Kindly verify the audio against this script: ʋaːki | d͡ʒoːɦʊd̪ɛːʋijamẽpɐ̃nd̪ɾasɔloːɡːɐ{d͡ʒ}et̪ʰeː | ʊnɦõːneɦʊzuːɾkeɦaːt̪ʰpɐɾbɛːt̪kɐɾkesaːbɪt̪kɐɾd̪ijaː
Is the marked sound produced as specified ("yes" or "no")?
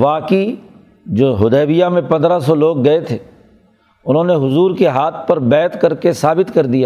no